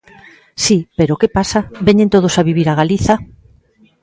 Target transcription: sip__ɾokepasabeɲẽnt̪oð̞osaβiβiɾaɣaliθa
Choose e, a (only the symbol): e